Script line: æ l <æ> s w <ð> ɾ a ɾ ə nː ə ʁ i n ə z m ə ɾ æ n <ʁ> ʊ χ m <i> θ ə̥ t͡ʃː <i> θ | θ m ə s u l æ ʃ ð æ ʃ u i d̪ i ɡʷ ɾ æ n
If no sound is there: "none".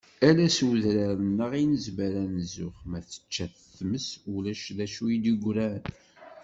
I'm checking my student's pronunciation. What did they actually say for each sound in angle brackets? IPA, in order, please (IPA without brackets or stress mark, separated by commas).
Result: æ, ð, z, æ, æ